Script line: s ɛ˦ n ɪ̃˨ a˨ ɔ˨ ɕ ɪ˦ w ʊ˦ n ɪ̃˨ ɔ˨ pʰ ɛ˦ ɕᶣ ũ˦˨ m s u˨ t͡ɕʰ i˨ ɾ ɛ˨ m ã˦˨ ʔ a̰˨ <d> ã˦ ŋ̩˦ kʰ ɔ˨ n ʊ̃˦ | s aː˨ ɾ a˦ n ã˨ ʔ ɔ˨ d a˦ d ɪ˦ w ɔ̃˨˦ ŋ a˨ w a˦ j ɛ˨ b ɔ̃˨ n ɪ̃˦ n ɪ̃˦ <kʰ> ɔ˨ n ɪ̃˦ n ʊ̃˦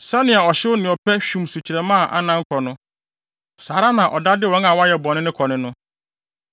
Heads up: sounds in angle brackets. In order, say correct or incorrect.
incorrect, correct

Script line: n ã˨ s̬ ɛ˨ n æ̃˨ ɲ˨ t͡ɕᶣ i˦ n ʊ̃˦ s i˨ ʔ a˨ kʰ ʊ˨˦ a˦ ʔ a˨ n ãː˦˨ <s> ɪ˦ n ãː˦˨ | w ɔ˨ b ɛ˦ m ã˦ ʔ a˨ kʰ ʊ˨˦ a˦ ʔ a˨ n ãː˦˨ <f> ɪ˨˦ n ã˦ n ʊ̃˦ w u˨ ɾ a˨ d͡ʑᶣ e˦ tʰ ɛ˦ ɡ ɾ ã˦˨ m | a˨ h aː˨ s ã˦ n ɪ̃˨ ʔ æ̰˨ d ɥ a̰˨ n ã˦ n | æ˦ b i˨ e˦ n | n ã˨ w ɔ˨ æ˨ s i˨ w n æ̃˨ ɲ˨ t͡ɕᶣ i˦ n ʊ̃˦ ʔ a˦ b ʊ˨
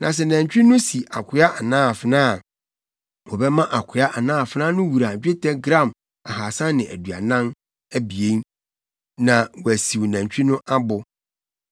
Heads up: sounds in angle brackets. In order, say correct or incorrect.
incorrect, correct

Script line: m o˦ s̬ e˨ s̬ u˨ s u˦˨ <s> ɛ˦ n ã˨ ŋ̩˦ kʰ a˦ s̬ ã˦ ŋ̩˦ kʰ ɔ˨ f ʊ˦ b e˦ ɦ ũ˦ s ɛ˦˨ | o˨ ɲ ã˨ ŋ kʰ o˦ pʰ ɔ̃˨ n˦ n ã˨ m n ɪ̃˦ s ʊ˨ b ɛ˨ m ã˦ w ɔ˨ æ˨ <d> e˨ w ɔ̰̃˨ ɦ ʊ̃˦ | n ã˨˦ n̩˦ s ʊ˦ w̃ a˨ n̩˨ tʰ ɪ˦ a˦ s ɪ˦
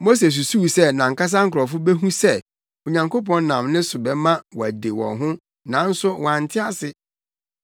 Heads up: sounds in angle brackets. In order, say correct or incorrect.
correct, correct

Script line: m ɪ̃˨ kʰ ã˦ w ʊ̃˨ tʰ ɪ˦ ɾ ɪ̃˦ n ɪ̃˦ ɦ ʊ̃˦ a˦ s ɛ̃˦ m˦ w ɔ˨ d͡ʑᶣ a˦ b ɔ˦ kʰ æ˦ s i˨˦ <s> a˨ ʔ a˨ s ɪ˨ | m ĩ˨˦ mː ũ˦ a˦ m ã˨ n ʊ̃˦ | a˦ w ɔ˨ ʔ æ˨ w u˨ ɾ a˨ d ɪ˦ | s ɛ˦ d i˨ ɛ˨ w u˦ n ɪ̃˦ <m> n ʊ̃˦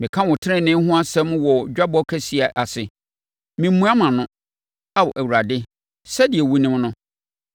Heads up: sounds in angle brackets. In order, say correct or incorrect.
incorrect, correct

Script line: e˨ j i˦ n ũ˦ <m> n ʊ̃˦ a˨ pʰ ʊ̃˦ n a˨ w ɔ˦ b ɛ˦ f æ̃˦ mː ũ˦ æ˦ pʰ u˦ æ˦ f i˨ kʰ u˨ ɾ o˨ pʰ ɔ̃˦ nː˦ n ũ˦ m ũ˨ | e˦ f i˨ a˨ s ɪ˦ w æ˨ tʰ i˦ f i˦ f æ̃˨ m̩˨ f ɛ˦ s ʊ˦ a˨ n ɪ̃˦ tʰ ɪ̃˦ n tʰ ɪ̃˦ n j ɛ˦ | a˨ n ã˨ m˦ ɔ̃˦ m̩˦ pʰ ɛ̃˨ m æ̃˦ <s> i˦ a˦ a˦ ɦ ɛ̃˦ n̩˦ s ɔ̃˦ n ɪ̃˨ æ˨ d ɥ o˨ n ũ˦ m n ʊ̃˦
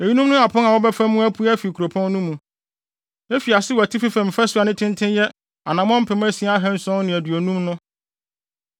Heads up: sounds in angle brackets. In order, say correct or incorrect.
correct, correct

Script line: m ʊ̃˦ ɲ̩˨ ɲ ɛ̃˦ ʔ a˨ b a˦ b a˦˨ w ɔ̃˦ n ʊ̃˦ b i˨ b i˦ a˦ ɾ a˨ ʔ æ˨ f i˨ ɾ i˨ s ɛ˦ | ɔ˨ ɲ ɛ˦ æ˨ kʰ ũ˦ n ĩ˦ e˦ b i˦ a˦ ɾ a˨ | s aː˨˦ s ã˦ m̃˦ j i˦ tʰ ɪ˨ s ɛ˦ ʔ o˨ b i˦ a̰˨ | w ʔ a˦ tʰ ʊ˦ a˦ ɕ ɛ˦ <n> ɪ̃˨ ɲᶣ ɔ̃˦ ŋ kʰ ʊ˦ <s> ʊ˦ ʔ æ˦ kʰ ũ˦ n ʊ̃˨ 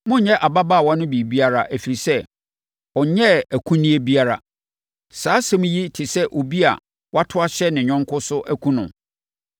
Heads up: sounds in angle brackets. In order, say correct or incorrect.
correct, correct

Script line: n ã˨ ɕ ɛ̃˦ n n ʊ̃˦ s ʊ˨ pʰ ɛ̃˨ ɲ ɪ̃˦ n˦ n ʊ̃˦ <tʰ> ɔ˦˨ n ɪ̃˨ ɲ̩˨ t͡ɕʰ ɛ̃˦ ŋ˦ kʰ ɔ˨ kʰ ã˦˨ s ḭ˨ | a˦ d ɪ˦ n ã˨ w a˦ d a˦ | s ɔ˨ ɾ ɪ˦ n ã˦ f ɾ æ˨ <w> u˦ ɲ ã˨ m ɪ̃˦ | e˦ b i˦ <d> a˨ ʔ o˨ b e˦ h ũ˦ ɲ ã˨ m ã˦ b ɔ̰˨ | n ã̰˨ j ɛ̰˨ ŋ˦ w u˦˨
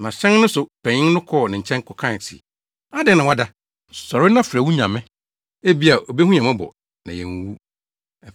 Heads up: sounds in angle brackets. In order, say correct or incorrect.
incorrect, correct, incorrect

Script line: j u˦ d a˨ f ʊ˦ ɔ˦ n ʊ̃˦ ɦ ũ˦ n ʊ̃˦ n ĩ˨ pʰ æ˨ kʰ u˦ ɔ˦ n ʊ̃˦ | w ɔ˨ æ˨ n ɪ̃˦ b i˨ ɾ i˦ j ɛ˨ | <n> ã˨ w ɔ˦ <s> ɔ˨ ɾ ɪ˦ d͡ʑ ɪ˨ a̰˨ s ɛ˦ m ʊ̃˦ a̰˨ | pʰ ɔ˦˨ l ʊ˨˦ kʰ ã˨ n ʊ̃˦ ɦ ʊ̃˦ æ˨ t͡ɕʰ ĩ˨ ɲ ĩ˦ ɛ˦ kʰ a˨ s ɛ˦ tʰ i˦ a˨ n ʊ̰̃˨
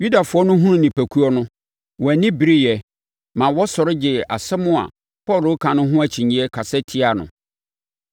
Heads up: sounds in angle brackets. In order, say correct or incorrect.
incorrect, correct

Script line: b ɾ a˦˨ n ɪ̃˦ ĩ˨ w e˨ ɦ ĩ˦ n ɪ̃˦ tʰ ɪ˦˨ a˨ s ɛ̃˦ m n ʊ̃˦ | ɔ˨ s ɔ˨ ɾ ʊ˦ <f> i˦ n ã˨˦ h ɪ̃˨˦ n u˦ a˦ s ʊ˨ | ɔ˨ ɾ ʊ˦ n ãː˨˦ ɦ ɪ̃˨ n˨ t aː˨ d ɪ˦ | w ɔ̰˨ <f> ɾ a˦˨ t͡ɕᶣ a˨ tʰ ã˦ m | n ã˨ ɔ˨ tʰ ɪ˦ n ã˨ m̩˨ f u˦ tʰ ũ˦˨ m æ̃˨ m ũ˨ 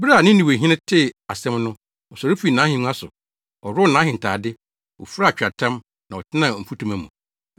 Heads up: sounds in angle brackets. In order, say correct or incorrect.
correct, correct

